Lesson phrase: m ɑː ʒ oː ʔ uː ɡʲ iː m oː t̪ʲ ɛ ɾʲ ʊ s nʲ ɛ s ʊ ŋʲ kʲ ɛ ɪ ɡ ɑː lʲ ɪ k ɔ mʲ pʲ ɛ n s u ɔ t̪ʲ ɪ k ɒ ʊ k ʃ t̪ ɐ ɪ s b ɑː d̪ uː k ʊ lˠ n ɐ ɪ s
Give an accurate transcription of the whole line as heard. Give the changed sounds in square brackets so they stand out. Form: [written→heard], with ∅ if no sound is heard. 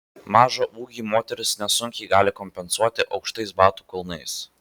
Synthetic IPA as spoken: m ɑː ʒ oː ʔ uː ɡʲ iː m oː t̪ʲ ɛ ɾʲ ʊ s nʲ ɛ s ʊ ŋʲ kʲ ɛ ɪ ɡ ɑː lʲ ɪ k ɔ mʲ pʲ ɛ n s u ɔ t̪ʲ ɪ [k→ʔ] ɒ ʊ k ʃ t̪ ɐ ɪ s b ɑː [d̪→t̪] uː k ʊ lˠ n ɐ ɪ s